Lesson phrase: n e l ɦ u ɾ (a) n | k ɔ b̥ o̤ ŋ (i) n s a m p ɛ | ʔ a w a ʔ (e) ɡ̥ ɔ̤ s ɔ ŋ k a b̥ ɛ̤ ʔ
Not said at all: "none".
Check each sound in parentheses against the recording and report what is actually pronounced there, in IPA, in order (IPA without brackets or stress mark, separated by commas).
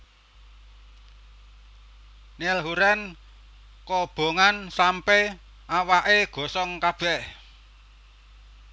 ɛ, a, e